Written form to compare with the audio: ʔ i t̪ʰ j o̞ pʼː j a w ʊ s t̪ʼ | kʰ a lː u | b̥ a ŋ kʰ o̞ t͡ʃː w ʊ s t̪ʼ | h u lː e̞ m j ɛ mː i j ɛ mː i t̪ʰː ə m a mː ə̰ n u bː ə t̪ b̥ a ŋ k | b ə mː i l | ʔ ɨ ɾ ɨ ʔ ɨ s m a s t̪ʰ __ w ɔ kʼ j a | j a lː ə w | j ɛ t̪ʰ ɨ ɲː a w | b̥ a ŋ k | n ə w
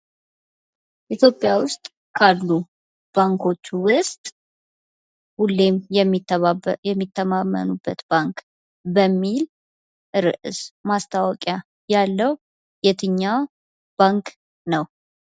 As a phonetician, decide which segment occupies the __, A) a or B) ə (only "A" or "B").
A